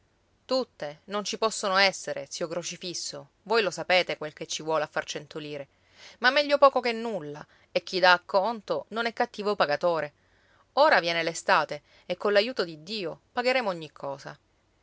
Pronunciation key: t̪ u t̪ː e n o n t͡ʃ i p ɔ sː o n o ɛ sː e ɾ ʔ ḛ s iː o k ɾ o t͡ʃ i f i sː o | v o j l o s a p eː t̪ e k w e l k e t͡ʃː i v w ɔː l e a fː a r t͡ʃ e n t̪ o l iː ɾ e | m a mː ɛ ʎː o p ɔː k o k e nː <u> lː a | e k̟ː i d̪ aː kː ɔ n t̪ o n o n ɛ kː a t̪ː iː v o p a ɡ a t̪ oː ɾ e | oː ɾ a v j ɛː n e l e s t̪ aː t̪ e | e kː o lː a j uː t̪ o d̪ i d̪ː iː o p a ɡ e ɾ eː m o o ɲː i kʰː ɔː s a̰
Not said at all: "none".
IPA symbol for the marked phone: u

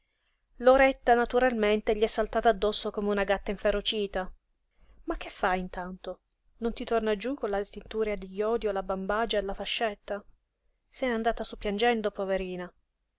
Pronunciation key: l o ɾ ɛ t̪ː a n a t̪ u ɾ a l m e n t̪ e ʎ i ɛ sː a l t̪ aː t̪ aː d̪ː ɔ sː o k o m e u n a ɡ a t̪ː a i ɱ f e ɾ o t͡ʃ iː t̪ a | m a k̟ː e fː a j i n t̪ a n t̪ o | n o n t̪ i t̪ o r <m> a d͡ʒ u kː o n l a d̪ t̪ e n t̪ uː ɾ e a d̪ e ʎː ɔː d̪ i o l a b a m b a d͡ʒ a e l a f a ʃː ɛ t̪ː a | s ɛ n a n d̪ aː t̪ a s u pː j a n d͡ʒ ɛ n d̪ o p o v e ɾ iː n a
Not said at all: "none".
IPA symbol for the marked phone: n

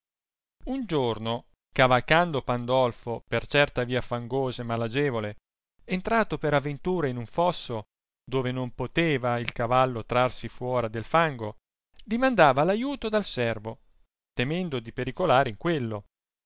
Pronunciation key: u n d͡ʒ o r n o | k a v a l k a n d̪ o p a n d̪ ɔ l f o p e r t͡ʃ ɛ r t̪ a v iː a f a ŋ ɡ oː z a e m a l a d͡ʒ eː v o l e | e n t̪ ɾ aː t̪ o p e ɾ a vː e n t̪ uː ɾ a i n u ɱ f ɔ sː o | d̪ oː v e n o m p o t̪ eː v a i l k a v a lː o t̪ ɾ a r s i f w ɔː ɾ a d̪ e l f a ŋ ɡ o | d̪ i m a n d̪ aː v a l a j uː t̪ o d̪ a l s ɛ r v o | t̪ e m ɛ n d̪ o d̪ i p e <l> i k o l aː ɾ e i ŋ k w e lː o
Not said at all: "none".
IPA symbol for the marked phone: ɾ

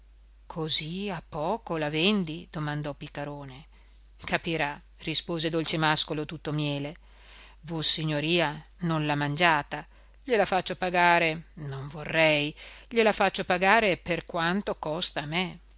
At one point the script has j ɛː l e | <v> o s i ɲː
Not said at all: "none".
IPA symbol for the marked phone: v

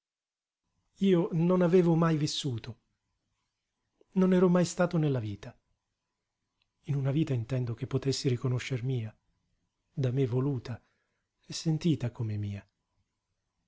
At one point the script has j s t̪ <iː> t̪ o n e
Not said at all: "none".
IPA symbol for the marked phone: aː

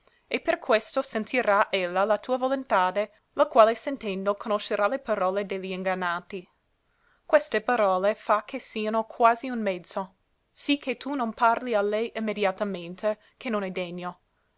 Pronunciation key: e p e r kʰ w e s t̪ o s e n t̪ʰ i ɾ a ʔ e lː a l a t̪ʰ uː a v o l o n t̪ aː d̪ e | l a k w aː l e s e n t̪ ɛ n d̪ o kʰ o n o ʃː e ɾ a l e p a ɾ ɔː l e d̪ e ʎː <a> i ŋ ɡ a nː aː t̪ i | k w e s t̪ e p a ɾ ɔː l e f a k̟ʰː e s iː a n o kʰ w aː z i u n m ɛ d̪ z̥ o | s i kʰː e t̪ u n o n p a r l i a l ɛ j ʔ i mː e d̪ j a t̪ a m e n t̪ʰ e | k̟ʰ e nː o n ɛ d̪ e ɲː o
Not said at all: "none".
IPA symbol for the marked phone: i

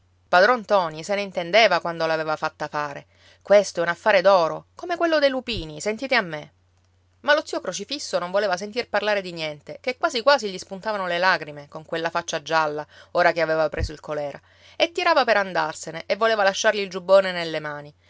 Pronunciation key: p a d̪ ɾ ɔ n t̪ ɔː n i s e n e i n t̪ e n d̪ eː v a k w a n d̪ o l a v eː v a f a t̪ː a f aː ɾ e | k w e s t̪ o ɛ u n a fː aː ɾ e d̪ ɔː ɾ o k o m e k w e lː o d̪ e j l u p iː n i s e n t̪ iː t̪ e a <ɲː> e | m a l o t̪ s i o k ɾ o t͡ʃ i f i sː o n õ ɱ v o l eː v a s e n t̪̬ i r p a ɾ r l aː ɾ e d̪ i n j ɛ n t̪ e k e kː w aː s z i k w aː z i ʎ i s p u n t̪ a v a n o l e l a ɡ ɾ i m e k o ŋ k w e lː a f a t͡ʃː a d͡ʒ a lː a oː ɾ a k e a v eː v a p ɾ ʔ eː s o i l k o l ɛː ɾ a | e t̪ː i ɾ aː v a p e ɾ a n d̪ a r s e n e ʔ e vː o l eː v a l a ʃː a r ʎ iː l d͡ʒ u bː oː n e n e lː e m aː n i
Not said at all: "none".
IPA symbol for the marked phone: mː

